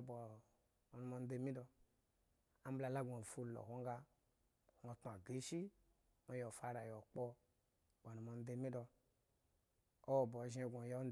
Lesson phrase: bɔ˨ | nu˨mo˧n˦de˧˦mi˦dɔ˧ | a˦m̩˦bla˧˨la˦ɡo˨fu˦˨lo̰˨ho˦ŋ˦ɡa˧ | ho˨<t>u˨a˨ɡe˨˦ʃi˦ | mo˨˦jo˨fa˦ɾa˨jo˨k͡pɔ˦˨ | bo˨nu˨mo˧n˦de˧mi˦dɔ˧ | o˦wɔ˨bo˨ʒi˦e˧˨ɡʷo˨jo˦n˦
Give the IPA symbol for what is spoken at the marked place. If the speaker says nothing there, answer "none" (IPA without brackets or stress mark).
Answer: t